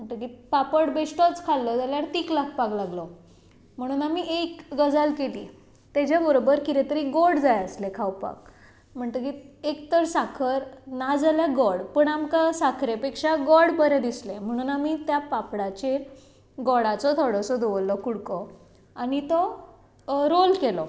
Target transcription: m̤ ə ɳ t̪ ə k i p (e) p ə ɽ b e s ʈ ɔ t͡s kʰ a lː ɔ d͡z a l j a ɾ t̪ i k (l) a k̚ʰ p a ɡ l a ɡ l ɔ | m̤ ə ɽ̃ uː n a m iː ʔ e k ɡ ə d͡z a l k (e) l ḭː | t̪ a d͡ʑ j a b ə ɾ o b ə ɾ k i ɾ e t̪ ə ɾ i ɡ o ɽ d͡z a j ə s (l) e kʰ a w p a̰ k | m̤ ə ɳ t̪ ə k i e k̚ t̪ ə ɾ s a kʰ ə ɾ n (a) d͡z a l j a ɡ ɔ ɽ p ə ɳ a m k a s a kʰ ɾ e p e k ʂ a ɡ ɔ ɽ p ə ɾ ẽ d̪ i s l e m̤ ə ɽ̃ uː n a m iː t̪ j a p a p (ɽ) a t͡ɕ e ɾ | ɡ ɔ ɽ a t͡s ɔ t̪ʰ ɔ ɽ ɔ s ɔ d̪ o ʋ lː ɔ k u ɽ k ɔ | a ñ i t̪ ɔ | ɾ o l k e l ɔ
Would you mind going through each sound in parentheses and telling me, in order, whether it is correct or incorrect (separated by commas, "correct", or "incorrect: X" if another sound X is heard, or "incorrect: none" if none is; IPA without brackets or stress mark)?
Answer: incorrect: a, correct, correct, correct, correct, correct